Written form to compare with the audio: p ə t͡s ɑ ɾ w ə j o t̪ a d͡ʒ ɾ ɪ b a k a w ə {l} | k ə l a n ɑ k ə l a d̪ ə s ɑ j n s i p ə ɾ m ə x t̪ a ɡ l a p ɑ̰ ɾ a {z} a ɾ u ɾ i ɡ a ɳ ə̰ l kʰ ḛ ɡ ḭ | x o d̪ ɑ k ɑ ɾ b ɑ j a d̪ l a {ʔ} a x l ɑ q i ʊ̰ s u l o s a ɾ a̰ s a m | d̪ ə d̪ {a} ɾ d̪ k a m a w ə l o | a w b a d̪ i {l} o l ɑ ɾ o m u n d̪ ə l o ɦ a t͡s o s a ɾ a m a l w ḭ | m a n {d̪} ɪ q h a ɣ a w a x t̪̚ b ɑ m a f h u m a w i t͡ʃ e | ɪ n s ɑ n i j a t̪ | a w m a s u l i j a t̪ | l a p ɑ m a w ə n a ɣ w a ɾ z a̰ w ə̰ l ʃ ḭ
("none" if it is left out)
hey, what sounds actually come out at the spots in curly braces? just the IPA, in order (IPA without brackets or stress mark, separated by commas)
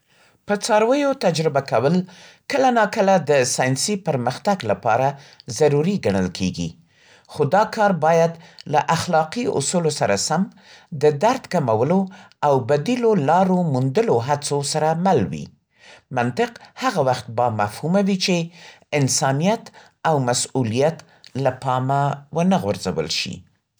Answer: l, z, ʔ, a, l, t̪